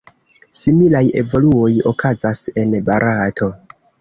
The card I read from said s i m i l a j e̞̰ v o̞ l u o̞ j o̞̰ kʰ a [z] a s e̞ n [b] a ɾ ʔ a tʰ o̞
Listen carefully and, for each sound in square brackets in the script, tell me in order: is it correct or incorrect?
correct, correct

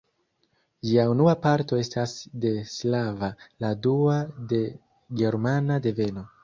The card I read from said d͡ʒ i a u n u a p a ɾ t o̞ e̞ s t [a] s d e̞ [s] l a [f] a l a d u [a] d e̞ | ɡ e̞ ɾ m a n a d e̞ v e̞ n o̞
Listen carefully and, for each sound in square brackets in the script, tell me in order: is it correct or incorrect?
correct, correct, incorrect: v, correct

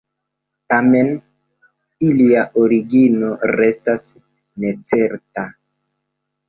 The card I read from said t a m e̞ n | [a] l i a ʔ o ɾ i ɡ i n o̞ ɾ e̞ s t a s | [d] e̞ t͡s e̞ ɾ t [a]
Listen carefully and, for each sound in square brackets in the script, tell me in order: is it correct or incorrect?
incorrect: i, incorrect: n, correct

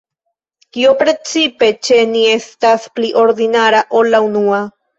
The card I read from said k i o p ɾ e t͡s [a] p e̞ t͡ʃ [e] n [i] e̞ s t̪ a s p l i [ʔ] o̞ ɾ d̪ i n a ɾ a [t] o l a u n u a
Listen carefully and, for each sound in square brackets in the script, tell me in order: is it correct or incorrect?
incorrect: i, correct, correct, correct, incorrect: ʔ

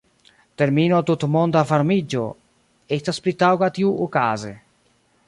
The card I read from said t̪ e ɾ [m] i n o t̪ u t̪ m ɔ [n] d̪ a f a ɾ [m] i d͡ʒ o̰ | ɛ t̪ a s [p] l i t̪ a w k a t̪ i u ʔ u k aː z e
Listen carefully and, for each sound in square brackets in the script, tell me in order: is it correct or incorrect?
correct, correct, correct, correct

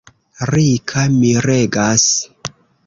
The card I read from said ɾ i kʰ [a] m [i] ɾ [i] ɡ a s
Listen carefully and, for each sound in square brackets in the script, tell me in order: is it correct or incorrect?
correct, correct, incorrect: e

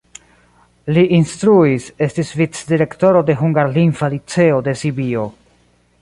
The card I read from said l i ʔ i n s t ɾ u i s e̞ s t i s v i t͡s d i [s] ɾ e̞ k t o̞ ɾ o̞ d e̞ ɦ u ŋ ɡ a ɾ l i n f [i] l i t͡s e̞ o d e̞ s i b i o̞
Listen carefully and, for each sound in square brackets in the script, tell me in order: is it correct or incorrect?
incorrect: none, incorrect: a

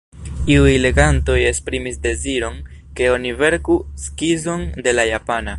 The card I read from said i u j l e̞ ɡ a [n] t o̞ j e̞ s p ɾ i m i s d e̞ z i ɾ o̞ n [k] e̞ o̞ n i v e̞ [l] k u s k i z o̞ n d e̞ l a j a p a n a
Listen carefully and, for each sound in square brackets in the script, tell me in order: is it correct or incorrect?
correct, correct, incorrect: ɾ

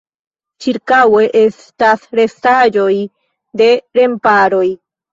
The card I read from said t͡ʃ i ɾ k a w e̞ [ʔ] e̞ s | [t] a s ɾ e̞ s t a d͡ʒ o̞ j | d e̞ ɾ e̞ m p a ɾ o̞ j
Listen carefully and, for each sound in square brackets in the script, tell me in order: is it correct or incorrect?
correct, correct

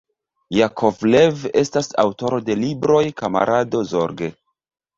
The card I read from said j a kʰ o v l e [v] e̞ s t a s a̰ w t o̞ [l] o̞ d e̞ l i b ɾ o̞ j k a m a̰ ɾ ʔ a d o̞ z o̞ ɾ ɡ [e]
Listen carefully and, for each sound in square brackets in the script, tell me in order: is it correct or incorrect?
correct, incorrect: ɾ, correct

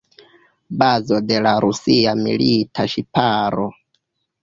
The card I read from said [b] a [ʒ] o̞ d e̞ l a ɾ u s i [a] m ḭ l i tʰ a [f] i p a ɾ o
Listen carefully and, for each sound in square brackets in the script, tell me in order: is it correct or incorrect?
correct, incorrect: z, correct, incorrect: ʃ

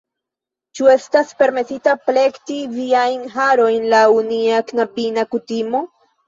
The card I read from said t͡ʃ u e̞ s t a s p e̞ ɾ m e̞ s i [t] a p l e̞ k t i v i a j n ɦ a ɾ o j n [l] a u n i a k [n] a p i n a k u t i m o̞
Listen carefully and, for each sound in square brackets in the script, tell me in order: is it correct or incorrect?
correct, correct, correct

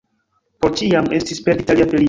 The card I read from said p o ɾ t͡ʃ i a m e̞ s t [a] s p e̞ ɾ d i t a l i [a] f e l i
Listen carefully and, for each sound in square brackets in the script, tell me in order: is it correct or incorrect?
incorrect: i, correct

